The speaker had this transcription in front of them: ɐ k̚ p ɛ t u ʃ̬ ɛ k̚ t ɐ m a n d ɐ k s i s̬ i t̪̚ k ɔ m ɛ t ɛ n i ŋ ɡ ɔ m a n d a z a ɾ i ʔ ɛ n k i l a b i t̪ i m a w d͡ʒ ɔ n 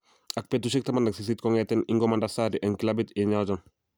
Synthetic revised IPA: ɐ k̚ p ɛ t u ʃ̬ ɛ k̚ t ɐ m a n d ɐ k s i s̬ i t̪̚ k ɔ ŋ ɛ t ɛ n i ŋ ɡ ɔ m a n d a s a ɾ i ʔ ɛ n k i l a b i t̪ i ɲ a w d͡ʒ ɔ n